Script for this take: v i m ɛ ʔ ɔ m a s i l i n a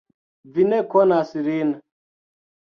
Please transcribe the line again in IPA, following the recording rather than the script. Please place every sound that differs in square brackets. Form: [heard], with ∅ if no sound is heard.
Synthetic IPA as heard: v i [n] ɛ [k] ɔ [n] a s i [ɾ] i n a